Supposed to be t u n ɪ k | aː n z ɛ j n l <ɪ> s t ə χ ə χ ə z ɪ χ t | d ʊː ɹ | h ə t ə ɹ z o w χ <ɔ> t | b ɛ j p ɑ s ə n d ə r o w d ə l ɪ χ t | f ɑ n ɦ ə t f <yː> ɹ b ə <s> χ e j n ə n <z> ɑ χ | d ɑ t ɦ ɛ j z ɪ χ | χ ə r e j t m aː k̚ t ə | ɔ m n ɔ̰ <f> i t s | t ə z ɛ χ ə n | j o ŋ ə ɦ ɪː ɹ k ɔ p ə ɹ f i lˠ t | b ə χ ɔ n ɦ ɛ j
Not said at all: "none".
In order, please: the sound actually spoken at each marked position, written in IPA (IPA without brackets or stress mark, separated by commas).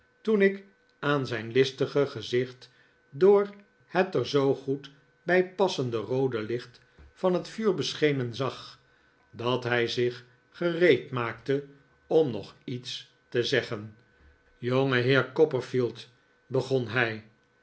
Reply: ɪ, u, yː, s, z, χ